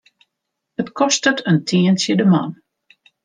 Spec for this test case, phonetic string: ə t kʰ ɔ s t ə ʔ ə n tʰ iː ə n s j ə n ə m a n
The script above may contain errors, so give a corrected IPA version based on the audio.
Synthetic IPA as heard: ə t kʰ ɔ s t ə t ə n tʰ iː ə n s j ə d ə m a n